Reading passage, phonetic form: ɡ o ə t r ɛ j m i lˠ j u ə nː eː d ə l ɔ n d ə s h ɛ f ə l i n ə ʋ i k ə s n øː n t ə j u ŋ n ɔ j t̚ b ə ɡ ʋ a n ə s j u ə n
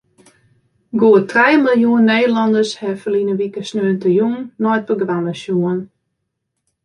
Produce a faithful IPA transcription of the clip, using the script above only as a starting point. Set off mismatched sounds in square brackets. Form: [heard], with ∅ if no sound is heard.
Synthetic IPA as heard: ɡ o ə t r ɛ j m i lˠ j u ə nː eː d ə l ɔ n d ə s h ɛ f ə l i n ə ʋ i k ə s n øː n t ə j u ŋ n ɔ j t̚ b ə ɡ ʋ a n ə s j u ə n

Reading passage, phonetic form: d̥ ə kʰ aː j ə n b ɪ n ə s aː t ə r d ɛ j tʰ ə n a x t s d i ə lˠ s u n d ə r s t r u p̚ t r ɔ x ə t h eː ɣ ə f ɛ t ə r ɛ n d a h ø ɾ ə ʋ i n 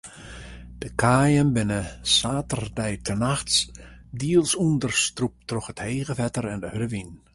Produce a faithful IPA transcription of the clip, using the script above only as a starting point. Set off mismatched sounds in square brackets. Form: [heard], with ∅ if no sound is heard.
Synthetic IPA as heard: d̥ ə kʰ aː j ə n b ɪ n ə s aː t ə r d ɛ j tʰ ə n a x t s d i ə lˠ s u n d ə r s t r u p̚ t r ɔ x ə t h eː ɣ ə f ɛ t ə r ɛ n d [ə] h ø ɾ ə ʋ i n

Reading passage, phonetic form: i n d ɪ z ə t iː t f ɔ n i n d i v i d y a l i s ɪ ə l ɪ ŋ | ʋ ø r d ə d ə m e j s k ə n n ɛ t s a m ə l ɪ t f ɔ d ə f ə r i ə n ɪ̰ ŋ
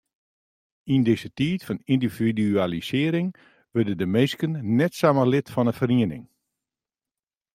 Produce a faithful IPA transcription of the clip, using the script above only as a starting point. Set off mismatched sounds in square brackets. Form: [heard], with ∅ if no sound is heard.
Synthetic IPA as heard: i n d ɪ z ə t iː t f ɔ n i n d i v i d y a l i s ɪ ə [ɾ] ɪ ŋ | ʋ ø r d ə d ə m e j s k ə n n ɛ t s a m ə l ɪ t f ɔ [n] ə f ə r i ə n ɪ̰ ŋ

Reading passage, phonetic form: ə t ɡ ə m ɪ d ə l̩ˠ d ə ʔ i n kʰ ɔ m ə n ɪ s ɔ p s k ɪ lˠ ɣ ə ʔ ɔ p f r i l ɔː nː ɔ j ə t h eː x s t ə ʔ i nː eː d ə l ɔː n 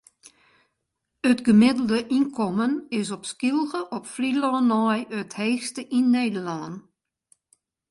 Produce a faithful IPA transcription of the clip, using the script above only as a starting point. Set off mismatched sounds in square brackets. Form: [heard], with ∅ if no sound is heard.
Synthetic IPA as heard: ə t ɡ ə m ɪ d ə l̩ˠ d ə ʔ i n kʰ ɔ m ə n ɪ s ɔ p s k [i] lˠ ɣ ə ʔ ɔ p f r i l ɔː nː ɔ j ə t h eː x s t ə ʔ i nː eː d ə l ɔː n

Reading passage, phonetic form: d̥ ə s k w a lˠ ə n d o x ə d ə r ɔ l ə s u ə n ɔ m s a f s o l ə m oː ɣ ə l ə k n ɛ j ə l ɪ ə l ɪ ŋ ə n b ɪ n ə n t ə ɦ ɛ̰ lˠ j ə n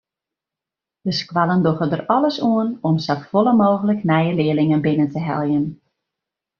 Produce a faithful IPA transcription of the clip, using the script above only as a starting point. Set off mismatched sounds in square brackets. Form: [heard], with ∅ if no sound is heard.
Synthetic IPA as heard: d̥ ə s k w a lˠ ə n d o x ə d ə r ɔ l ə s u ə n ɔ m s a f [f] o l ə m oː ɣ ə l ə k n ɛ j ə l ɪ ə l ɪ ŋ ə n b ɪ n ə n t ə ɦ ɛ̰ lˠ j ə n

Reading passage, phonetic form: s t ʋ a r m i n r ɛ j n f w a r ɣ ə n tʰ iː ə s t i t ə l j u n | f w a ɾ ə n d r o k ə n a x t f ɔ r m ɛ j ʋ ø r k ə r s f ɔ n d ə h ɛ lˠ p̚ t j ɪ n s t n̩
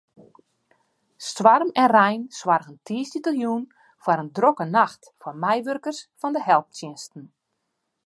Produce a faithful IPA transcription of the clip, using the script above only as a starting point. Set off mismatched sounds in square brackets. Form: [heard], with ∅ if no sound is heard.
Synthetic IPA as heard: s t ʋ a r m [ɛ] n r ɛ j n [s] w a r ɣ ə n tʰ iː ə s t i t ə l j u n | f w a ɾ ə n d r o k ə n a x t f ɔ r m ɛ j ʋ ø r k ə r s f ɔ n d ə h ɛ lˠ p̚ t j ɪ n s t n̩

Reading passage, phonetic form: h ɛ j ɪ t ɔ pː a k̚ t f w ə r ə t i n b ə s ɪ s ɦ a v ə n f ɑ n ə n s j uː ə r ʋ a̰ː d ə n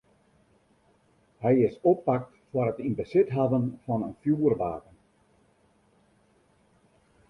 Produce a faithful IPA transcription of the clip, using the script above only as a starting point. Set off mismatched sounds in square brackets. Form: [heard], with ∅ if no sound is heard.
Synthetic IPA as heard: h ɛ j ɪ [s] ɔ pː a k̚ t f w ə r ə t i n b ə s ɪ [t] ɦ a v ə n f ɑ n ə n [f] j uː ə r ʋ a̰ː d ə n

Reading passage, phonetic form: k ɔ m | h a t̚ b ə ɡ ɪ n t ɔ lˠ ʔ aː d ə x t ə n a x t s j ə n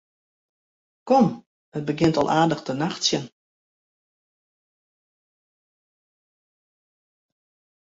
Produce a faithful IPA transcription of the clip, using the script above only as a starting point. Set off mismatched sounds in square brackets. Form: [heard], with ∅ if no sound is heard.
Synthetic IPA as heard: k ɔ m | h [ə] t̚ b ə ɡ ɪ n t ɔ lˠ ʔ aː d ə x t ə n a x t s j ə n

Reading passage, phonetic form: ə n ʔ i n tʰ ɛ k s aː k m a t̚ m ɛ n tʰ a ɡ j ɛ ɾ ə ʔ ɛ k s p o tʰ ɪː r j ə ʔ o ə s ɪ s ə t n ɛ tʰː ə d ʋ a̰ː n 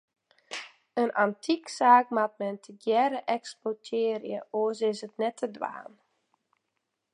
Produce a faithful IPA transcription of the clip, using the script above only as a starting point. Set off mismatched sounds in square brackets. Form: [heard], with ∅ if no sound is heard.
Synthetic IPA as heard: ə n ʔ [a] n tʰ [i] k s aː k m a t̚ m ɛ n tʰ [ə] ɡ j ɛ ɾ ə ʔ ɛ k s p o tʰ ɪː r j ə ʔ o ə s ɪ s ə t n ɛ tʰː ə d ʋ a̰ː n

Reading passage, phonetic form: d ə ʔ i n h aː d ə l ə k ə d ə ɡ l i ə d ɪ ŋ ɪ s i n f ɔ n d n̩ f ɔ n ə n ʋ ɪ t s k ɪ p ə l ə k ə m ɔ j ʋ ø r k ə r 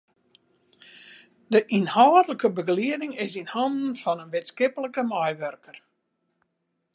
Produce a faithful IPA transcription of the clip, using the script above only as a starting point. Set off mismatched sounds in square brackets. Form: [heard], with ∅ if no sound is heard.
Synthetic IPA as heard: d ə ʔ i n h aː d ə l ə k ə [b] ə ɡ l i ə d ɪ ŋ ɪ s i n [h] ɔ n d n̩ f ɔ n ə n ʋ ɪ t s k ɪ p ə l ə k ə m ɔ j ʋ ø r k ə r

